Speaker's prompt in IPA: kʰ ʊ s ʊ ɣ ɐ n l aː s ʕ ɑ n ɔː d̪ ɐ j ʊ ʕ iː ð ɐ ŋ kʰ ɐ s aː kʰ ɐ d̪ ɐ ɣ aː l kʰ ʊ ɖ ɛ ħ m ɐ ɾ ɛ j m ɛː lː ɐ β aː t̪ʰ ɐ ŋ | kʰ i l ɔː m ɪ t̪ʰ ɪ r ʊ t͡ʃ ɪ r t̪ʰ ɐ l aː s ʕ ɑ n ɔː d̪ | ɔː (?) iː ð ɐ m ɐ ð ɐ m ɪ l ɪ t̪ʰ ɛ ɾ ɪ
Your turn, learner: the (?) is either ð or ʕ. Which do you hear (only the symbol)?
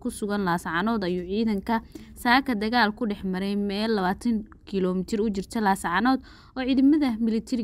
ʕ